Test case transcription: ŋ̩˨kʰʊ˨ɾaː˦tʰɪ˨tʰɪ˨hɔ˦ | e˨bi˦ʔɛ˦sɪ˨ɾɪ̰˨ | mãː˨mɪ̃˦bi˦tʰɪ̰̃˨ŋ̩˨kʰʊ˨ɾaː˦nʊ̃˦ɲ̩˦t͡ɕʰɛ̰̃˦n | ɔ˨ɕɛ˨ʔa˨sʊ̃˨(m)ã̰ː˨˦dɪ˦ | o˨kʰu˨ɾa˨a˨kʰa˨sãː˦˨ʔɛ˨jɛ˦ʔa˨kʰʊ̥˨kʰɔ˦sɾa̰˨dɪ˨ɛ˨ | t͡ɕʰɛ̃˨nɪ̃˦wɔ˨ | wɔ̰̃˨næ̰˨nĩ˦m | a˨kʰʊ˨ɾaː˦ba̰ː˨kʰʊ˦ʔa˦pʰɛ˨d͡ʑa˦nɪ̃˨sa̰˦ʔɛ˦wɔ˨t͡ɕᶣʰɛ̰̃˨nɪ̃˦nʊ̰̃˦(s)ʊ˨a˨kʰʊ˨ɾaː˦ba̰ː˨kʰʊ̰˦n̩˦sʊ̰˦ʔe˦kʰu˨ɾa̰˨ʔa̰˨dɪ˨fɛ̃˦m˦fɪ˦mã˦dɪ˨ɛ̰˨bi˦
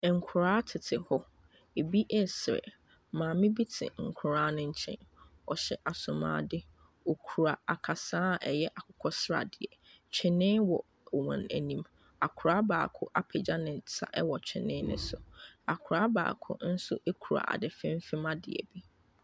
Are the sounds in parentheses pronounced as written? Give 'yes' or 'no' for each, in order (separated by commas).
yes, yes